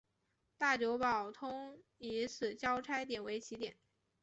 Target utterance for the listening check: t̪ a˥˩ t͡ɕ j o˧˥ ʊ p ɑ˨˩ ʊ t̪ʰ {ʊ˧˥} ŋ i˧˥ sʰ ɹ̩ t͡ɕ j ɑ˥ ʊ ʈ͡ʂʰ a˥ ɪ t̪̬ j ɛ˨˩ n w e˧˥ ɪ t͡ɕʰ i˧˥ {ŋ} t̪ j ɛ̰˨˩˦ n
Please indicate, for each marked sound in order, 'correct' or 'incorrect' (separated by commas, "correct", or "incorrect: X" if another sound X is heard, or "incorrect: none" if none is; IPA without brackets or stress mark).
incorrect: ʊ˥, incorrect: none